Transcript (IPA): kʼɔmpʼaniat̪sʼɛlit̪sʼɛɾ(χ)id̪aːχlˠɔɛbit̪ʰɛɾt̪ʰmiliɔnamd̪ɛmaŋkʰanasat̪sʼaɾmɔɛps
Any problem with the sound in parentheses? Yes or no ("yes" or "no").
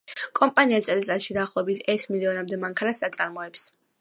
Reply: yes